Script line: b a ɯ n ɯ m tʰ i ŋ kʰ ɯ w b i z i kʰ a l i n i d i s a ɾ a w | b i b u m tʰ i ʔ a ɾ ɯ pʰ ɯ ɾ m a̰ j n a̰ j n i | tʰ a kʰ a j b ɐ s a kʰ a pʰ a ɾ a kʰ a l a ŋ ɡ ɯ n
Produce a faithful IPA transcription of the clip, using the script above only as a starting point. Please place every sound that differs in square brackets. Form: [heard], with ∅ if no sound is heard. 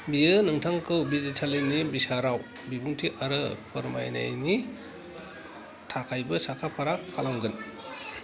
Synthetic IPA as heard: b [i] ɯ n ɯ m tʰ [a] ŋ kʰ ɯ w b i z i [tʰ] a l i n i [b] i s a ɾ a w | b i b u [ŋ] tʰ i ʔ a ɾ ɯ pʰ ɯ ɾ m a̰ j n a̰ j n i | tʰ a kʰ a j b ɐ s a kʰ a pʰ a ɾ a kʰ a l a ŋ ɡ ɯ n